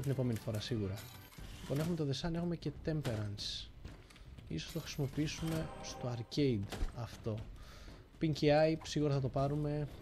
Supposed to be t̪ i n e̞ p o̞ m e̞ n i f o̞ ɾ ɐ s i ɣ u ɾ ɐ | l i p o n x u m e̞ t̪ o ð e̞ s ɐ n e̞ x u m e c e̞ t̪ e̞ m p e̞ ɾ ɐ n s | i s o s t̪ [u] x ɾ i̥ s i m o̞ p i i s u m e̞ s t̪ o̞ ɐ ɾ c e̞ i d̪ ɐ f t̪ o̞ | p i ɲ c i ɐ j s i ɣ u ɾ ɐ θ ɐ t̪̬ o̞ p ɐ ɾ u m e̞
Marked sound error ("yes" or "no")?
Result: yes